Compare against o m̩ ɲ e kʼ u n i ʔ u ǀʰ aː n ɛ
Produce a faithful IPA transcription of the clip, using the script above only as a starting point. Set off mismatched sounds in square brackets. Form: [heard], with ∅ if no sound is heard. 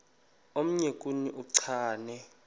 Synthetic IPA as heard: o m̩ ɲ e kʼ u n i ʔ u ǀʰ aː n ɛ